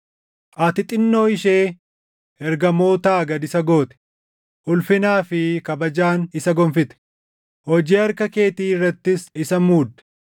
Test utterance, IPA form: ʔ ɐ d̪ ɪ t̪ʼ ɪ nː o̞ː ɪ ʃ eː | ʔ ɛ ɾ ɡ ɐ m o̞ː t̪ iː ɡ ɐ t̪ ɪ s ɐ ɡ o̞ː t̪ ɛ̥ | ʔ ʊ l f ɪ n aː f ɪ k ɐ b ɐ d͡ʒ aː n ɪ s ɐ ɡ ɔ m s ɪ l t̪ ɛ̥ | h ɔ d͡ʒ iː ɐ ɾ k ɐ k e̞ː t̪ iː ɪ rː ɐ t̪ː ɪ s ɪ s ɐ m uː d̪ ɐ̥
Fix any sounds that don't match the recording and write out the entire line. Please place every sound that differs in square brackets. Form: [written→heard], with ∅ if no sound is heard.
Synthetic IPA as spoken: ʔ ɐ [d̪→t̪] ɪ t̪ʼ ɪ nː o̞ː ɪ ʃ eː | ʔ ɛ ɾ ɡ ɐ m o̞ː t̪ [iː→aː] ɡ ɐ [t̪→d̪] ɪ s ɐ ɡ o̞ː t̪ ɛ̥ | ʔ ʊ l f ɪ n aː f ɪ k ɐ b ɐ d͡ʒ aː n ɪ s ɐ ɡ ɔ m [s→f] ɪ [l→∅] t̪ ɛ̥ | h ɔ d͡ʒ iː ɐ ɾ k ɐ k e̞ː t̪ iː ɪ rː ɐ t̪ː ɪ s ɪ s ɐ m uː d̪ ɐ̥